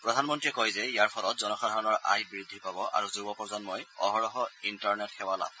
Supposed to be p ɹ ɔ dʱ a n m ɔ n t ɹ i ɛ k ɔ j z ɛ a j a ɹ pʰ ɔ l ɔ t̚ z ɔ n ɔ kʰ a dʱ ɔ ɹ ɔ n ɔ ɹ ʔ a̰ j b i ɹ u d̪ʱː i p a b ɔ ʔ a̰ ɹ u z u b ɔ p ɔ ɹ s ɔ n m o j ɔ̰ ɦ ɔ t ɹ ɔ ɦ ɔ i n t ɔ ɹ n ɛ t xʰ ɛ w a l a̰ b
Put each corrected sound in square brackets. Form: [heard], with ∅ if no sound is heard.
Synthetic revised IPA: p ɹ ɔ dʱ a n m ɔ n t ɹ i ɛ k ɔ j z ɛ [i] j a ɹ pʰ ɔ l ɔ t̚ z ɔ n ɔ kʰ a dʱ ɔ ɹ ɔ n ɔ ɹ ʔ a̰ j b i ɹ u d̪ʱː i p a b ɔ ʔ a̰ ɹ u z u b ɔ p ɔ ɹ [z] ɔ n m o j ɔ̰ ɦ ɔ [∅] ɹ ɔ ɦ ɔ i n t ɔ ɹ n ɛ t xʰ ɛ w a l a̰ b